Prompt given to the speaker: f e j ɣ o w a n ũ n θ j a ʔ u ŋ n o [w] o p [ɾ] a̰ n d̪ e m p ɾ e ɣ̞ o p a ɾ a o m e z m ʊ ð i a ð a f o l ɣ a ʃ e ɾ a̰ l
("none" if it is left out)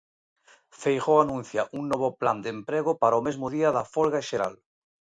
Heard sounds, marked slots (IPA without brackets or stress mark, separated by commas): β, l